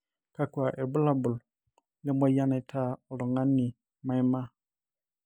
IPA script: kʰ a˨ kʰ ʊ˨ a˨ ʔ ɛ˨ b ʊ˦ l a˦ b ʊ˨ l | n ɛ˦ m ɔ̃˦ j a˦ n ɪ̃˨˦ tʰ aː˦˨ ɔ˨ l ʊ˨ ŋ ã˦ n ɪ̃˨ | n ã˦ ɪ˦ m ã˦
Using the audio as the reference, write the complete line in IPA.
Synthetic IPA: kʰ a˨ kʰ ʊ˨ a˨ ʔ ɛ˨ b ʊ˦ l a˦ b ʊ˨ l | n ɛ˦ m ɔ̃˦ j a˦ n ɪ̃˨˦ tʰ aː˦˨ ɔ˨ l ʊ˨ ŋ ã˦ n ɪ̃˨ | m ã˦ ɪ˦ m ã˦